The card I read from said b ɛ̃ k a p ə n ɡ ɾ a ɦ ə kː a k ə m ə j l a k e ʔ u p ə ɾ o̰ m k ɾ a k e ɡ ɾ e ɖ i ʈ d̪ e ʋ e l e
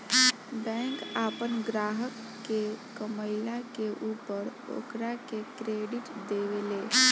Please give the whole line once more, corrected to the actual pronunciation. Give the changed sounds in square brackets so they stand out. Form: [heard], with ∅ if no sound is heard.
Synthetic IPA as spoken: b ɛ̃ k a p ə n ɡ ɾ a ɦ ə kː [e] k ə m ə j l a k e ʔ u p ə ɾ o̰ [∅] k ɾ a k e [k] ɾ e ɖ i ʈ d̪ e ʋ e l e